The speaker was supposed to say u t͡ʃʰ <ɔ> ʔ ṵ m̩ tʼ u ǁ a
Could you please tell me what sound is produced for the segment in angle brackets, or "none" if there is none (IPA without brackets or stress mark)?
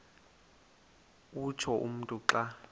ɔ